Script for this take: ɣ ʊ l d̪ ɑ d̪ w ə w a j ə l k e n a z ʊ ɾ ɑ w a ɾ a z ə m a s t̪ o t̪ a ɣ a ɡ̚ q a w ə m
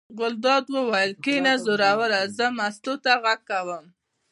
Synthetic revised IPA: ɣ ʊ l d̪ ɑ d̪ w ə w a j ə l k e n a z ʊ ɾ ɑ w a ɾ a z ə m a s t̪ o t̪ a ɣ a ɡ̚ k a w ə m